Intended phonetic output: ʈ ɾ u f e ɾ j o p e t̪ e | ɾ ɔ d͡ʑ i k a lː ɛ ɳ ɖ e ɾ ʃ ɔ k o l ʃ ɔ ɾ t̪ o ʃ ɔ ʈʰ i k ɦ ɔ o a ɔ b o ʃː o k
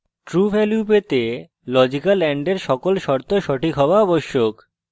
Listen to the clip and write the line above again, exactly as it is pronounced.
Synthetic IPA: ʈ ɾ u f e l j u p e t̪ e | l ɔ d͡ʑ i k a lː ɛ ɳ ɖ e ɾ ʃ ɔ k o l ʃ ɔ ɾ t̪ o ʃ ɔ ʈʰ i k ɦ ɔ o a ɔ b o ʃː o k